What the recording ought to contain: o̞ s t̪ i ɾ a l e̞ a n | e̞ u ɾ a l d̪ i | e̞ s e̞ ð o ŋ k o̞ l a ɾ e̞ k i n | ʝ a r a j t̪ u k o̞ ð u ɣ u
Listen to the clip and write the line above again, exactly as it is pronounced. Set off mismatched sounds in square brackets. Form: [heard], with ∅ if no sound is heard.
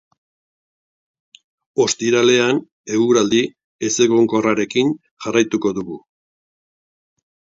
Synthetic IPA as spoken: o̞ s t̪ i ɾ a l e̞ a n | e̞ u ɾ a l d̪ i | e̞ s e̞ [ɣ] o ŋ k o̞ [r] a ɾ e̞ k i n | ʝ a r a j t̪ u k o̞ ð u ɣ u